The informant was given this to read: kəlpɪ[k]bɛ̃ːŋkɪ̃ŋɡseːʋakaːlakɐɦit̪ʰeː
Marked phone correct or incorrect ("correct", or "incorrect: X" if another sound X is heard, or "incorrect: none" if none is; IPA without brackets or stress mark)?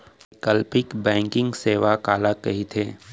correct